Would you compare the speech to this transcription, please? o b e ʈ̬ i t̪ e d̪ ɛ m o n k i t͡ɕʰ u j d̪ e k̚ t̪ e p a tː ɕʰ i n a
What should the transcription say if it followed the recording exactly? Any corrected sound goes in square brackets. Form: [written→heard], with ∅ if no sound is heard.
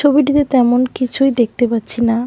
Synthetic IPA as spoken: o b [e→i] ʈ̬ i t̪ e [d̪→t̪] ɛ m o n k i t͡ɕʰ u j d̪ e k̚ t̪ e p a tː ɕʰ i n a

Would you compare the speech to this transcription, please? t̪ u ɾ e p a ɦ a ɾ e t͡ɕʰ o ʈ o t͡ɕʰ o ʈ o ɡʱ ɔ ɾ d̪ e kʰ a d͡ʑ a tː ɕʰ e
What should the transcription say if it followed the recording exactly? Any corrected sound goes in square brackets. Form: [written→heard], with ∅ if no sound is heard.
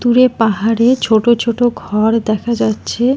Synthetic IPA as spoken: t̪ u ɾ e p a ɦ a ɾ e t͡ɕʰ o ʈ o t͡ɕʰ o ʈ o ɡʱ ɔ ɾ d̪ [e→ɛ] kʰ a d͡ʑ a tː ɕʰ e

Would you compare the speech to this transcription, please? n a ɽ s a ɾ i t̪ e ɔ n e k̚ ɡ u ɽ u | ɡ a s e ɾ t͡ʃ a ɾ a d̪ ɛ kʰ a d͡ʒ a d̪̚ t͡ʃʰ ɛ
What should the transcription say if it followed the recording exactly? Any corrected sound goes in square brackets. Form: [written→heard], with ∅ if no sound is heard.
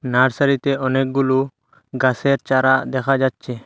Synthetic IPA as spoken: n a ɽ s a ɾ i t̪ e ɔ n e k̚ ɡ u [ɽ→l] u | ɡ a s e ɾ t͡ʃ a ɾ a d̪ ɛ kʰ a d͡ʒ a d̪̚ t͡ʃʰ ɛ

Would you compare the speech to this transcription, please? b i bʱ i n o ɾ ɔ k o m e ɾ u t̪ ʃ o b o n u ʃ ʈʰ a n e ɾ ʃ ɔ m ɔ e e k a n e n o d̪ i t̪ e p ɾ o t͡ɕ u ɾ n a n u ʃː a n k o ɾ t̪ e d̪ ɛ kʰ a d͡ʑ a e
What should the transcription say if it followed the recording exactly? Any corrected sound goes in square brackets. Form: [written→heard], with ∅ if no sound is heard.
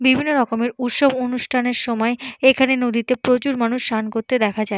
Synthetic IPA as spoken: b i bʱ i [n→nː] o ɾ ɔ k o m e ɾ u t̪ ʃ o b o n u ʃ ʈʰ a n e ɾ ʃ ɔ m ɔ e e [k→kʰ] a n e n o d̪ i t̪ e p ɾ o t͡ɕ u ɾ [n→m] a n u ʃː a n k o ɾ t̪ e d̪ ɛ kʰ a d͡ʑ a e

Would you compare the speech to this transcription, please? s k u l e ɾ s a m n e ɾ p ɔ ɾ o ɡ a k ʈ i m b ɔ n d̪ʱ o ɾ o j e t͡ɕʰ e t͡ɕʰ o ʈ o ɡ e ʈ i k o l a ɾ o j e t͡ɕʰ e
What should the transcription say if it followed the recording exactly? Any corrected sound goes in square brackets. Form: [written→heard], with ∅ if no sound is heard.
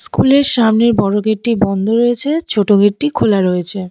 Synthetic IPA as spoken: s k u l e ɾ [s→ʃ] a m n e ɾ [p→b] ɔ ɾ o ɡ [a→e] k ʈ i [m→∅] b ɔ n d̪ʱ o ɾ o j e t͡ɕʰ e t͡ɕʰ o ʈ o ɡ e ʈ i [k→kʰ] o l a ɾ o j e t͡ɕʰ e

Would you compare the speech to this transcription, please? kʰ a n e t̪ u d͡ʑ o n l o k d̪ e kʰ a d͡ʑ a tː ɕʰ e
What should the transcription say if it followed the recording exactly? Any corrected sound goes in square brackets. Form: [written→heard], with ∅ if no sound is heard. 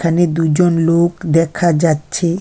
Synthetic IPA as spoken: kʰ a n e [t̪→d̪] u d͡ʑ o n l o k d̪ [e→ɛ] kʰ a d͡ʑ a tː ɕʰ e

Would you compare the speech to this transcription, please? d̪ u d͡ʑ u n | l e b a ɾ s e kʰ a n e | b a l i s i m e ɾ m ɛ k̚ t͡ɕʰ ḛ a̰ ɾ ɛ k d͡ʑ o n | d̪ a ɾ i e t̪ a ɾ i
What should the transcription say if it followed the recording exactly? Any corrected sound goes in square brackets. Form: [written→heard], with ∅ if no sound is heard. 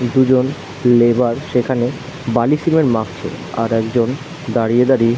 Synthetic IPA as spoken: d̪ u d͡ʑ [u→o] n | l e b a ɾ [s→ʃ] e kʰ a n e | b a l i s i m e ɾ m [ɛ→a] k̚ t͡ɕʰ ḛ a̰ ɾ ɛ k d͡ʑ o n | d̪ a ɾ i e [t̪→d̪] a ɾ i

